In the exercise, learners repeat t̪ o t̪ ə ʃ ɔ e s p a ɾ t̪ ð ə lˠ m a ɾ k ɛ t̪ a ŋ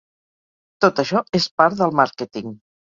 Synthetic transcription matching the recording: t̪ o t̪ ə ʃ ɔ e s p a ɾ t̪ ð ə lˠ m a ɾ k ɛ t̪ i ŋ